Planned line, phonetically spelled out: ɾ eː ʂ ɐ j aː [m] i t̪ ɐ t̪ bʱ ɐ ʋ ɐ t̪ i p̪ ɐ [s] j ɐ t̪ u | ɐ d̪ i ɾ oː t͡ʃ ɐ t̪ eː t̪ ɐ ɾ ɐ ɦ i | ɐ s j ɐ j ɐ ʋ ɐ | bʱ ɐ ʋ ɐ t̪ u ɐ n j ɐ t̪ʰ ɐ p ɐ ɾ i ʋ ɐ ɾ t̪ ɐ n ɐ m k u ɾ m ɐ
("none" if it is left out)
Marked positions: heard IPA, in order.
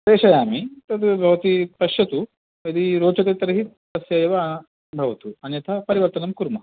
m, ʃ

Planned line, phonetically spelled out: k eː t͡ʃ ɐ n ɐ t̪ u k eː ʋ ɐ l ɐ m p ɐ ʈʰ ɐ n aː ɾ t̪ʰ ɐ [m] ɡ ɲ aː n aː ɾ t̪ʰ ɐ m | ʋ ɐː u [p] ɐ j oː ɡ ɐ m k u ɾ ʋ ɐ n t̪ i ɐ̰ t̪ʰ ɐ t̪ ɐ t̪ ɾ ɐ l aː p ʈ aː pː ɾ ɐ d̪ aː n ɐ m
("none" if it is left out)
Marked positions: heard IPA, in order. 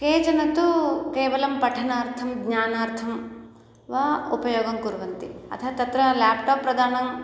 m, p

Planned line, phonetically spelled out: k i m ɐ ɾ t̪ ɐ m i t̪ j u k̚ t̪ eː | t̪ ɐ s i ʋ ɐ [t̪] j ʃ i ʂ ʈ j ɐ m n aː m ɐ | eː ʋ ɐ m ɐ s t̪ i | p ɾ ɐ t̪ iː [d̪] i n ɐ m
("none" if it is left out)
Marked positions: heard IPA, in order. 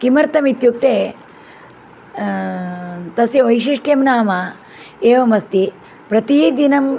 none, d̪

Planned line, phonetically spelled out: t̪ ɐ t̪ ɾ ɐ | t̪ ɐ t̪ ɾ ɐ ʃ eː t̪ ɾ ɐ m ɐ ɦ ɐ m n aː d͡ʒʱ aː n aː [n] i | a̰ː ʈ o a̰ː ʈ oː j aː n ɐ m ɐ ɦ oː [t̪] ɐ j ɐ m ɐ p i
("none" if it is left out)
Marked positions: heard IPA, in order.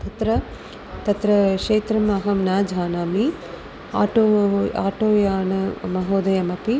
m, d̪

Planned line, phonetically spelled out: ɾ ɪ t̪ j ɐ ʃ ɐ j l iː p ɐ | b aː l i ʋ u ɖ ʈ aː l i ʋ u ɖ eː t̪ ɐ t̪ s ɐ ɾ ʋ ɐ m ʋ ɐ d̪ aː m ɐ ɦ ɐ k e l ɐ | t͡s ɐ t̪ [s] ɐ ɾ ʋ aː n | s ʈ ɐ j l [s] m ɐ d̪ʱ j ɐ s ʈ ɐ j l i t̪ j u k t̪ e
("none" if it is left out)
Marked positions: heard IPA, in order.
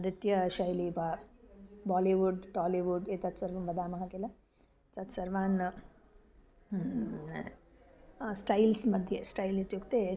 s, s

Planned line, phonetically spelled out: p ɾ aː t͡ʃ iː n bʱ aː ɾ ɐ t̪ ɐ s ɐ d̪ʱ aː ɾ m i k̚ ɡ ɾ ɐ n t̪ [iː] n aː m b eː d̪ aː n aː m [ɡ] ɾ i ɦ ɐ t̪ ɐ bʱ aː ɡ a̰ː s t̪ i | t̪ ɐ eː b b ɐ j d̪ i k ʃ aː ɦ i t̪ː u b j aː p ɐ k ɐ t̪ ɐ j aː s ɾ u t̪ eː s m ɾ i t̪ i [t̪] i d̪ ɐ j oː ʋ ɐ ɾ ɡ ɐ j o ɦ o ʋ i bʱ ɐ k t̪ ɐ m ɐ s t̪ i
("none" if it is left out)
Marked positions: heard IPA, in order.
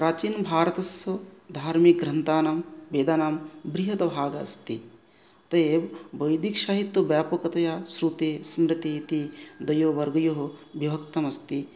aː, b, t̪

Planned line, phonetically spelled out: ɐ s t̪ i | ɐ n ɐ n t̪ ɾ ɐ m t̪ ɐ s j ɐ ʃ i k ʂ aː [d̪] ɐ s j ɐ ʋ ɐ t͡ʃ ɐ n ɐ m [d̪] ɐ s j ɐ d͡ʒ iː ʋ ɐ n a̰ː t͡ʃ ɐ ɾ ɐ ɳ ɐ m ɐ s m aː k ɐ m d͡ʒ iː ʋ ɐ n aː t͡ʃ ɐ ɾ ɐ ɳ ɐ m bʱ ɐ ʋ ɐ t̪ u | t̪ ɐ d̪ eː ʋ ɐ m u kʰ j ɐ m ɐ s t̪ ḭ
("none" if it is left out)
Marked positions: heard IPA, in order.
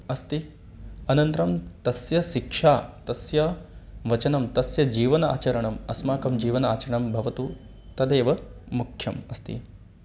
t̪, t̪

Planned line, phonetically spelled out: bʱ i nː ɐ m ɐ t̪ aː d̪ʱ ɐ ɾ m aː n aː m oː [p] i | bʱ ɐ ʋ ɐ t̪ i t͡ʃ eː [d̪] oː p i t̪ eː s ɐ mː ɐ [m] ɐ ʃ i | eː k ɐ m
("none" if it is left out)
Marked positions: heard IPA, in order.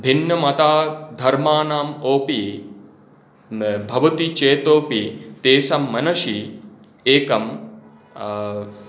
p, t̪, n

